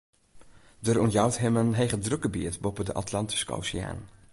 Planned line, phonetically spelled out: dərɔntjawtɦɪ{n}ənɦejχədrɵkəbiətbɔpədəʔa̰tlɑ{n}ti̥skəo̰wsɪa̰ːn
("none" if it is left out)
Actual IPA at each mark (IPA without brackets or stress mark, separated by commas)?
m, n